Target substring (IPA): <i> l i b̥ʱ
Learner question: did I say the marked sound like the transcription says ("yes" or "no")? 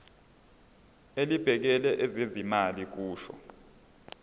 no